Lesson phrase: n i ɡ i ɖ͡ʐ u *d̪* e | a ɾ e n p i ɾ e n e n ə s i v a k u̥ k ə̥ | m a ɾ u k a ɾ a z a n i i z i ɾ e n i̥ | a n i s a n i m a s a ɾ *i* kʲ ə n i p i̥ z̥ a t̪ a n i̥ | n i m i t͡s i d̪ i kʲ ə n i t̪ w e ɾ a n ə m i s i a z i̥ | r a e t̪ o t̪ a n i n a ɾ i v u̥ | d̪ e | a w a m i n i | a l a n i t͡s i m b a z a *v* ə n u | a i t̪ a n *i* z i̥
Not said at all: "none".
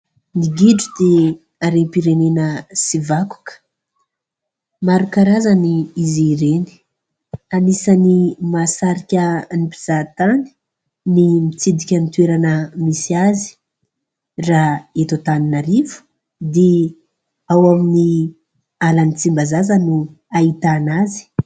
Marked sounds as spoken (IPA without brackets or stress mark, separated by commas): d̪, i, z, a